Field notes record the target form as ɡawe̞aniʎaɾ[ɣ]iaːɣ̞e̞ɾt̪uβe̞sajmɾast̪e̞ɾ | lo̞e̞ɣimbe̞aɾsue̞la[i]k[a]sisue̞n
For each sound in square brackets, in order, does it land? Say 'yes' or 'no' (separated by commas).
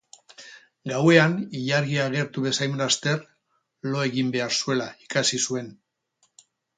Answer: yes, yes, yes